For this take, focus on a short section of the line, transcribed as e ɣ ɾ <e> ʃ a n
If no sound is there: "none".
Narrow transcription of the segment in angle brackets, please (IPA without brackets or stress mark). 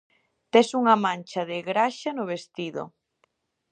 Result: a